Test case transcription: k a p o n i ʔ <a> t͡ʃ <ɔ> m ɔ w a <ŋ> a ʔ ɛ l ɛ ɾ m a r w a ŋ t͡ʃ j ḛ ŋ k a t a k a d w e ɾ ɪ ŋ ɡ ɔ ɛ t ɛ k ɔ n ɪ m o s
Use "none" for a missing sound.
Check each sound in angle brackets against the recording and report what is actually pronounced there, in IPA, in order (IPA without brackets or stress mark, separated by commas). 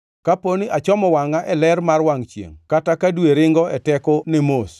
a, ɔ, ŋ